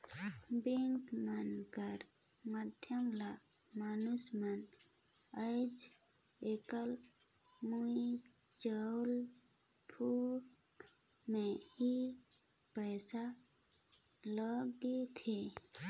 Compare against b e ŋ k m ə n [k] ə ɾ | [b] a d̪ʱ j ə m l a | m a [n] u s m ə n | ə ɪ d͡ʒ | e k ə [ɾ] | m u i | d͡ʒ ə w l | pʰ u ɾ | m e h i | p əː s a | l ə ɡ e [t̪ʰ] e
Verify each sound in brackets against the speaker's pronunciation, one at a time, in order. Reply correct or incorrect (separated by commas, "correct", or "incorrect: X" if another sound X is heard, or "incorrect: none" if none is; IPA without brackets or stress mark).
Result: correct, incorrect: m, correct, incorrect: l, correct